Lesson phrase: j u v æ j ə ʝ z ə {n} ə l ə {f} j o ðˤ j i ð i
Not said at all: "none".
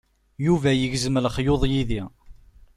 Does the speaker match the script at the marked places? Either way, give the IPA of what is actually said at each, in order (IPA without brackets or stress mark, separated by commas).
m, χ